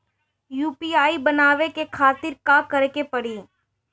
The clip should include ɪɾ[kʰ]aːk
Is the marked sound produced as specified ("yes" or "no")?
no